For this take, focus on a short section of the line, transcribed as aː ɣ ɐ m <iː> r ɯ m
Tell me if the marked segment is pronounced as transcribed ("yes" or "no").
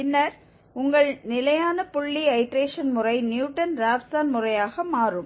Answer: no